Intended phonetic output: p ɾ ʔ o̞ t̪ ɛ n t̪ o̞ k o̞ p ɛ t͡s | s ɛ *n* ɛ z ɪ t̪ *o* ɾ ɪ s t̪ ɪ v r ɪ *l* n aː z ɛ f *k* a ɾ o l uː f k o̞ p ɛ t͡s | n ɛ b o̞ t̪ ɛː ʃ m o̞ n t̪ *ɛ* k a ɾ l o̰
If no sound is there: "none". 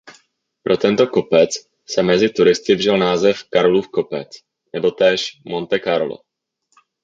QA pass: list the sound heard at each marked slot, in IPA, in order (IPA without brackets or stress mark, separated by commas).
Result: m, u, l, k, ɛ